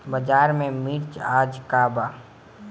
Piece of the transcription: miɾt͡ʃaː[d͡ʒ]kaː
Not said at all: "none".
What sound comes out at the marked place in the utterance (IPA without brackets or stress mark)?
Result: d͡ʒ